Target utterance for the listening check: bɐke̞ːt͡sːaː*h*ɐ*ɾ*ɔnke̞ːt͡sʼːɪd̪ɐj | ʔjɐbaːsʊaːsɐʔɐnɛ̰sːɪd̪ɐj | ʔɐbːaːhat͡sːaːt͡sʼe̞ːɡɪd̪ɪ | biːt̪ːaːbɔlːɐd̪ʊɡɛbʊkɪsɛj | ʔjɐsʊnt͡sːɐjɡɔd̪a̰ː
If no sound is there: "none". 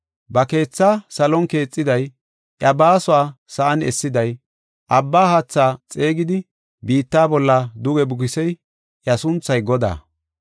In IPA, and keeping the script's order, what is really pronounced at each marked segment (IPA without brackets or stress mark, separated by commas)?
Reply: s, l